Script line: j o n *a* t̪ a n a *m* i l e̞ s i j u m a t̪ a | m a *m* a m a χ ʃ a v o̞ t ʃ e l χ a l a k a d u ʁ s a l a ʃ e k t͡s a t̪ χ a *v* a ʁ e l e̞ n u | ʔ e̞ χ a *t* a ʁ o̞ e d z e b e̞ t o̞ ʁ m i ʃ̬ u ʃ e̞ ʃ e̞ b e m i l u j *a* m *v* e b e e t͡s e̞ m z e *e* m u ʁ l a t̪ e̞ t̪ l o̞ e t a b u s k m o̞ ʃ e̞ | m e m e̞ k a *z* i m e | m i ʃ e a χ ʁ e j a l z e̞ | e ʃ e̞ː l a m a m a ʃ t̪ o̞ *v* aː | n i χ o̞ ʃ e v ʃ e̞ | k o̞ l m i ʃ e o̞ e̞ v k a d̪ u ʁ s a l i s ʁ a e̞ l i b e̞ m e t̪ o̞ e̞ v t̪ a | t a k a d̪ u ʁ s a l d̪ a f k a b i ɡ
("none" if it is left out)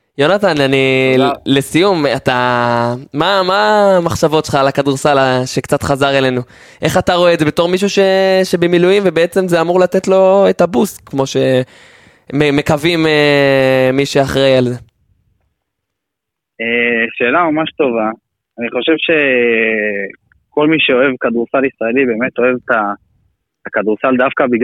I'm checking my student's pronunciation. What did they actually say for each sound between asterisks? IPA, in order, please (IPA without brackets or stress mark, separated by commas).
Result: a, n, m, z, t, i, v, a, v, v